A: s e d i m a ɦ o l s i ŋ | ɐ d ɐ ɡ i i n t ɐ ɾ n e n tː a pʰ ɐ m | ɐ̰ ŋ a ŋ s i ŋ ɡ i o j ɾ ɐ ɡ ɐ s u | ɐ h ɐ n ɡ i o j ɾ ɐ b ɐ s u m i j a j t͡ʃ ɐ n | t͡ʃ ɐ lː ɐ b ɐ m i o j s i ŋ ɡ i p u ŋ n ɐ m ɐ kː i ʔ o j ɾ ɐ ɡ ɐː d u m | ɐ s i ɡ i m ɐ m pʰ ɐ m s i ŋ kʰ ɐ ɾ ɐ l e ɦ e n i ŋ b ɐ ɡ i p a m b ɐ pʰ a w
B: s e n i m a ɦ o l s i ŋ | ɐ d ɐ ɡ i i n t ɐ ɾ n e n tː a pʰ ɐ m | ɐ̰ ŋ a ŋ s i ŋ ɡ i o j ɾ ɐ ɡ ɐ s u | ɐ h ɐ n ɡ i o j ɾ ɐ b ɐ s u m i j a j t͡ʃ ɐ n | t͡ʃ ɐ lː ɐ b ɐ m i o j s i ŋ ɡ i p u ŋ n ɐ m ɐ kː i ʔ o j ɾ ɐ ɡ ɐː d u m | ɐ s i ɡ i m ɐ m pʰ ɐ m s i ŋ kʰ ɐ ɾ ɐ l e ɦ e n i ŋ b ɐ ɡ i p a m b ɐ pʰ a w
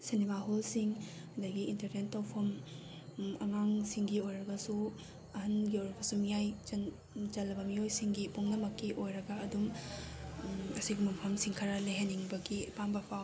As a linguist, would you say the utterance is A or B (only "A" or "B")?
B